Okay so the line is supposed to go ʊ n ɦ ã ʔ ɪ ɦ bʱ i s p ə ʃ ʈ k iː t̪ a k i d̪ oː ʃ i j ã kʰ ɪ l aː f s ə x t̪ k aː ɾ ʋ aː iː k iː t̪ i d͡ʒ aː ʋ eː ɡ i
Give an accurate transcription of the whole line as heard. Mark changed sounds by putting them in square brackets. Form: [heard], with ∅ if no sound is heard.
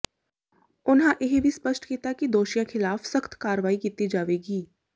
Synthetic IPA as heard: ʊ n ɦ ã ʔ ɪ ɦ bʱ i s p ə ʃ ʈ k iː t̪ a k i d̪ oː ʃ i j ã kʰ ɪ l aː f s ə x t̪ k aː ɾ ʋ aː [i] k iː t̪ i d͡ʒ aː ʋ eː ɡ [iː]